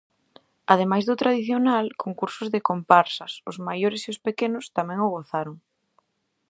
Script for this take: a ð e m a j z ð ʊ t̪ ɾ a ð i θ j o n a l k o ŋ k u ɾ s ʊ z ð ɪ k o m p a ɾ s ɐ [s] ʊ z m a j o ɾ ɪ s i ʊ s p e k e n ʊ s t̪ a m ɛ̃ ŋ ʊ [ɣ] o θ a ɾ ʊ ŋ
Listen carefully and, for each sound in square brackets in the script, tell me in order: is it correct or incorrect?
correct, correct

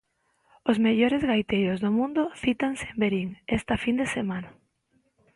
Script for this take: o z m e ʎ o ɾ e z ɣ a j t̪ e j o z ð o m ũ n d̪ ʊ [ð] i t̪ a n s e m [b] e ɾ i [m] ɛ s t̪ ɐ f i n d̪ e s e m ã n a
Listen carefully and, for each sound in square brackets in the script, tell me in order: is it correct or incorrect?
incorrect, correct, incorrect

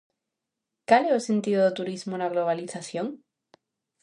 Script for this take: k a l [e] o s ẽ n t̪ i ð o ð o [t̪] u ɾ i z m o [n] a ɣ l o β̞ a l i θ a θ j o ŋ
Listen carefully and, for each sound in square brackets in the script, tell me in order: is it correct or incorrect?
correct, correct, correct

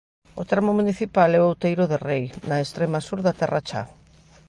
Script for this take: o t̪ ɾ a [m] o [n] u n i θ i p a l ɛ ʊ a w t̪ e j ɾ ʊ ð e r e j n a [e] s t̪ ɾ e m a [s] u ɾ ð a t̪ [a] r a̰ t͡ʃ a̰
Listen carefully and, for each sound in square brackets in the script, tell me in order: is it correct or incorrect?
correct, incorrect, correct, correct, incorrect

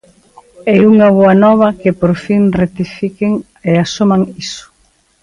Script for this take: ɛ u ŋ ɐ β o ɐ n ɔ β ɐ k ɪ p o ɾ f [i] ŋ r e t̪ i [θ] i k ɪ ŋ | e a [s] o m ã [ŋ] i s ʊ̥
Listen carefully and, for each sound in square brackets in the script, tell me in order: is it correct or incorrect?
correct, incorrect, correct, correct

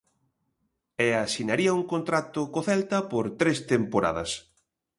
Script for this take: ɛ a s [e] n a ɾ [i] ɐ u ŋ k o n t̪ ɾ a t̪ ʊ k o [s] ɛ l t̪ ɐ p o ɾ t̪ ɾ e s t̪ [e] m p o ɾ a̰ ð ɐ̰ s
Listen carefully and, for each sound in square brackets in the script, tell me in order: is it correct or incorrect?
incorrect, correct, incorrect, correct

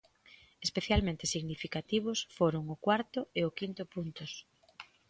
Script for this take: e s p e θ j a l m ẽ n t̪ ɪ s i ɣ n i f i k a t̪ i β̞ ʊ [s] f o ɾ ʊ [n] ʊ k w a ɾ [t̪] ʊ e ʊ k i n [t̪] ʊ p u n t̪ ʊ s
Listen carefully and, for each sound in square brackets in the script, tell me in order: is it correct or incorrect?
correct, incorrect, correct, correct

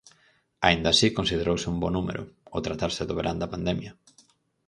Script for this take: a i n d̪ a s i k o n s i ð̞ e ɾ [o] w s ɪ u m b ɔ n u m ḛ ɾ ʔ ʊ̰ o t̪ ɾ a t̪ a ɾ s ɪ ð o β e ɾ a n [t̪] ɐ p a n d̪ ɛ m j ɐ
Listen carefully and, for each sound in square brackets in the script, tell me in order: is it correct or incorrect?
correct, incorrect

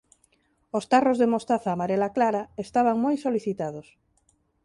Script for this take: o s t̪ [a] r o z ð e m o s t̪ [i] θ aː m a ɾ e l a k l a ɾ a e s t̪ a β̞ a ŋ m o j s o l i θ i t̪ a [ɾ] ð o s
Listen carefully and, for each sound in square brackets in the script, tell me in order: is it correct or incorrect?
correct, incorrect, incorrect

